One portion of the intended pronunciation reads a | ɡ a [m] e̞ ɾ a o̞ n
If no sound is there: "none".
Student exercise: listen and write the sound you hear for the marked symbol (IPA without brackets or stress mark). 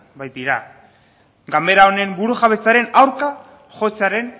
m